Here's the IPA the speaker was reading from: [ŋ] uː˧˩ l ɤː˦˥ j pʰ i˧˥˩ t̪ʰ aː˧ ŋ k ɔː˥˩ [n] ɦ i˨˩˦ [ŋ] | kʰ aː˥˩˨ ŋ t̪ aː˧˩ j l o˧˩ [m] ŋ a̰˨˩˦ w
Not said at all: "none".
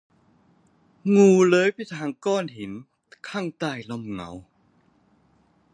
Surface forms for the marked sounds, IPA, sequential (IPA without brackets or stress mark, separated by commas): ŋ, n, n, m